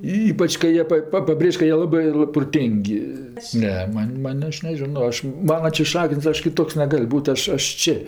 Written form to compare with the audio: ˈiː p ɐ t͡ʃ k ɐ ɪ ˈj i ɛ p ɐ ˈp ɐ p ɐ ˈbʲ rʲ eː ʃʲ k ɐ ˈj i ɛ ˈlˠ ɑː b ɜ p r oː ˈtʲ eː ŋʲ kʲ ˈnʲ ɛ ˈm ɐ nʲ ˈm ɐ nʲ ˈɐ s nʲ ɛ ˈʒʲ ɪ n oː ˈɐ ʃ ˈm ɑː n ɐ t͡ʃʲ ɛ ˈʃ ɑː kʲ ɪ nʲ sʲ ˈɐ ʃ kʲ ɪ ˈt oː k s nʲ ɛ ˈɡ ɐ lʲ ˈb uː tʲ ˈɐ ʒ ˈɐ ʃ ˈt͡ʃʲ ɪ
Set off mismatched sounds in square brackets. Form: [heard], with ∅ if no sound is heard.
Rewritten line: ˈiː p ɐ t͡ʃ k ɐ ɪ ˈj i ɛ p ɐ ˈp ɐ p ɐ ˈbʲ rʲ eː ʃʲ k ɐ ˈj i ɛ ˈlˠ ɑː b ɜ p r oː ˈtʲ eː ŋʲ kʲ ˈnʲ ɛ ˈm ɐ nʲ ˈm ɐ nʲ ˈɐ [ʃ] nʲ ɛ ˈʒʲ ɪ n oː ˈɐ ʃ ˈm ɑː n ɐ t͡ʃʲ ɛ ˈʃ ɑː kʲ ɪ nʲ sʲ ˈɐ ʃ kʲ ɪ ˈt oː k s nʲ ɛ ˈɡ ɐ lʲ ˈb uː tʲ ˈɐ [ʃ] ˈɐ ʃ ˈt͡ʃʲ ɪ